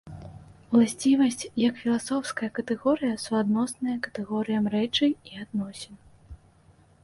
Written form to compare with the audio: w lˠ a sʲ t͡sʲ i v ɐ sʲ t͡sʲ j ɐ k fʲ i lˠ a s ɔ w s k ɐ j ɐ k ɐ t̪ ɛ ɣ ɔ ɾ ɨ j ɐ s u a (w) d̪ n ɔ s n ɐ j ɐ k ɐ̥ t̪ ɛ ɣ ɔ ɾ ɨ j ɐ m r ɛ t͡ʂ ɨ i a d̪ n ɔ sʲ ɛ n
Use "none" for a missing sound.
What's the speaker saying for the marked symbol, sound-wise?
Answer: none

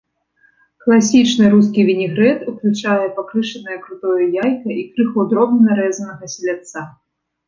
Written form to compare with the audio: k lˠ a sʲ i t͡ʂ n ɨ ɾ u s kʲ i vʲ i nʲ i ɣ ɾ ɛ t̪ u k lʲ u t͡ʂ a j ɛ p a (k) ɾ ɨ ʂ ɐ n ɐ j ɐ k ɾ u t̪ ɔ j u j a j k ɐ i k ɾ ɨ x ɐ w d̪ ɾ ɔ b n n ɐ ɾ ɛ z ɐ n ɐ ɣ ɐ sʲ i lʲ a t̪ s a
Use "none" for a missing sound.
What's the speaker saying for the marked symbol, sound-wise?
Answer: k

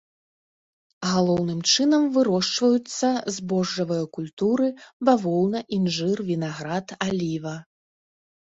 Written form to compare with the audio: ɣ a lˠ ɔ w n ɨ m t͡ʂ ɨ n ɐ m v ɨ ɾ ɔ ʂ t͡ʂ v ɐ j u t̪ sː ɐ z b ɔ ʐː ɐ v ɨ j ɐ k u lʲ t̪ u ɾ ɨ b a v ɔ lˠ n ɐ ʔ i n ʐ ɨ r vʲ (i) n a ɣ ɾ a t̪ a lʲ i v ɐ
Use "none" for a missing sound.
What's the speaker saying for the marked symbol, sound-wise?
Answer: i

